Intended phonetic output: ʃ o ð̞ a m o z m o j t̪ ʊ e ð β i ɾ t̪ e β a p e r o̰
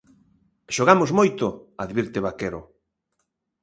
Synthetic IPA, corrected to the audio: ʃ o ɣ̞ a m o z m o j t̪ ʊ a ð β i ɾ t̪ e β a k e ɾ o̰